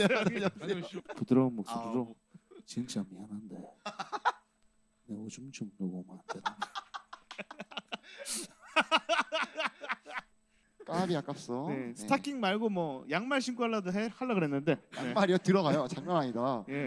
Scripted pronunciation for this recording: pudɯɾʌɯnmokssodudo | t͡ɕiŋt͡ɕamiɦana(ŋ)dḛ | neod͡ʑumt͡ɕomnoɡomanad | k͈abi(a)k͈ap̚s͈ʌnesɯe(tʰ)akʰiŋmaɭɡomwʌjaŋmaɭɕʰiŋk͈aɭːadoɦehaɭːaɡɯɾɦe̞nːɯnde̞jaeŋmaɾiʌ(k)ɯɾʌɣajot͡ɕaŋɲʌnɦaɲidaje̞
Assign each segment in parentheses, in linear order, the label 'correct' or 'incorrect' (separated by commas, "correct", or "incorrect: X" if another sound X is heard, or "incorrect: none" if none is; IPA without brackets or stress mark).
incorrect: n, correct, correct, incorrect: t